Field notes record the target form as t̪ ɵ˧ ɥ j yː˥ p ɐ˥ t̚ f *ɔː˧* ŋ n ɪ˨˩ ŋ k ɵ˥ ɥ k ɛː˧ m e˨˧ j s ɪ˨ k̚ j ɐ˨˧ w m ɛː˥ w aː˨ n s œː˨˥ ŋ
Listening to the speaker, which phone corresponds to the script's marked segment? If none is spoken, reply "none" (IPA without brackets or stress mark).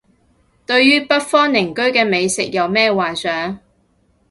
ɔː˥